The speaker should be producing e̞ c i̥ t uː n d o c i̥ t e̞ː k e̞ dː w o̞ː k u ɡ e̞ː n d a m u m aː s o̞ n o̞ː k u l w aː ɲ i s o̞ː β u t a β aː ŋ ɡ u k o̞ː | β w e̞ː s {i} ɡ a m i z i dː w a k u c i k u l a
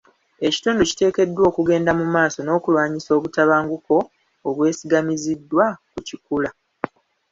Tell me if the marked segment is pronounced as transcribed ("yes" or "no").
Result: yes